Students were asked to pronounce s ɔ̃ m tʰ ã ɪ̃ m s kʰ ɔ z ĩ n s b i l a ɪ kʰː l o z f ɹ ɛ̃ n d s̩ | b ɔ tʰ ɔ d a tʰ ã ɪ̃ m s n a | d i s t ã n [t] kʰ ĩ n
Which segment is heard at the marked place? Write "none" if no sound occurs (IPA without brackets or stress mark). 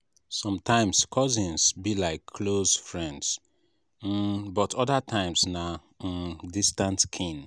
t